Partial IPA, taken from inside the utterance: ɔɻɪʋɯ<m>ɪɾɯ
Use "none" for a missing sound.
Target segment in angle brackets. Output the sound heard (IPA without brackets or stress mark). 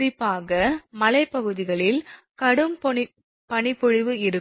none